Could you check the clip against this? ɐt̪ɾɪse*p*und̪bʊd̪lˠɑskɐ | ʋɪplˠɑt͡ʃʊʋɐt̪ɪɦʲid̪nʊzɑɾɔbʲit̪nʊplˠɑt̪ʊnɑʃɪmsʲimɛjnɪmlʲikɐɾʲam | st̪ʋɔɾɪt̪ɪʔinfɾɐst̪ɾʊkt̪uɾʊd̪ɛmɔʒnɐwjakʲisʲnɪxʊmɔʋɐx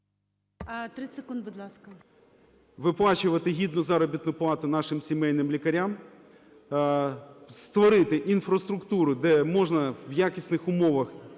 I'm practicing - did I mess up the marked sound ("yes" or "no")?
yes